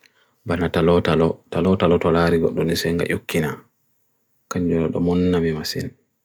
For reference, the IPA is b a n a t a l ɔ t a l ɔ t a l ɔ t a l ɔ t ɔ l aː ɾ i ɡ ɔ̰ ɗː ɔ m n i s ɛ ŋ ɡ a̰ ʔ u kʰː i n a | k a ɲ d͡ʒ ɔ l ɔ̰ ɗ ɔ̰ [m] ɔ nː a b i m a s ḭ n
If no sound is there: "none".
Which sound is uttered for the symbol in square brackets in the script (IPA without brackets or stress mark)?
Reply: m